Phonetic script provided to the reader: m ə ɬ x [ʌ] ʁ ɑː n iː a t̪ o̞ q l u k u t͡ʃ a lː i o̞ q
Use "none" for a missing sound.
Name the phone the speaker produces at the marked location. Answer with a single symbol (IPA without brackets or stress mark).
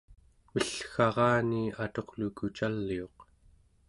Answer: ɑ